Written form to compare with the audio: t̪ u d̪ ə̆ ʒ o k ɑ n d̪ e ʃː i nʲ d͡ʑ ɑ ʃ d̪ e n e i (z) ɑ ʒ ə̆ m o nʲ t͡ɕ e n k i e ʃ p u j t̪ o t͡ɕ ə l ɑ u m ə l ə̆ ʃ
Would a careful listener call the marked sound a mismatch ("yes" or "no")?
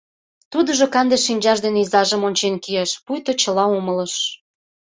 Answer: no